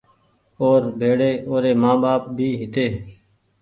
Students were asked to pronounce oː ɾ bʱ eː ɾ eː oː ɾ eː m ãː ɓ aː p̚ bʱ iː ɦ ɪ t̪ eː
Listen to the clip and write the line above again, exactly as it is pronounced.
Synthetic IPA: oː ɾ bʱ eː ɽ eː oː ɾ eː m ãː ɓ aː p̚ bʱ iː ɦ ɪ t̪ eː